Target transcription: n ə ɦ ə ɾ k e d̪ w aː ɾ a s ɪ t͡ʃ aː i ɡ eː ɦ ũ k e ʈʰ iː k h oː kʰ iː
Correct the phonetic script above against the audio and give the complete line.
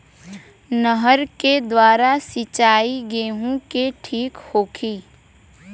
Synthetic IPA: n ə ɦ ə ɾ k e d̪ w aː ɾ a s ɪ t͡ʃ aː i ɡ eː ɦ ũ k e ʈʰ iː k h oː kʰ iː